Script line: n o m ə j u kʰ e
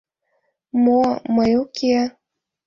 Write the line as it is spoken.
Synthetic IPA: m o m ə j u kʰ e